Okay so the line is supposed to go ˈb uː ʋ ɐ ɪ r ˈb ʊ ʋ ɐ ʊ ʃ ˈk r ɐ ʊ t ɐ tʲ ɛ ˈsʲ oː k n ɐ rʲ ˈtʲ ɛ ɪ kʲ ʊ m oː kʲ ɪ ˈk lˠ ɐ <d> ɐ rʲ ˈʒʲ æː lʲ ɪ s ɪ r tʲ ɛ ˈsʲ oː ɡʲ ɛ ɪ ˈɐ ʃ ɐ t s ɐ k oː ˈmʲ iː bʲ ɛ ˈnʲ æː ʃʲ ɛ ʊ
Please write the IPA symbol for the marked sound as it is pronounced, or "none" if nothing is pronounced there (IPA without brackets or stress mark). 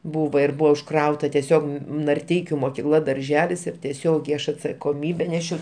d